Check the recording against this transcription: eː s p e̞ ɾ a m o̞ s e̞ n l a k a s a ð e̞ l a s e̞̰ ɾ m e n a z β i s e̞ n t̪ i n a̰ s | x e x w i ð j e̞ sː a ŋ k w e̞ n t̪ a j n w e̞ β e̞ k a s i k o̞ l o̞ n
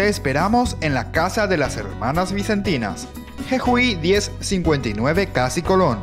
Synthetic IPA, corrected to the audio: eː s p e̞ ɾ a m o̞ s e̞ n l a k a s a ð e̞ l a s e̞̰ ɾ m a n a z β i s e̞ n t̪ i n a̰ s | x e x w i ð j e̞ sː i ŋ k w e̞ n t̪ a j n w e̞ β e̞ k a s i k o̞ l o̞ n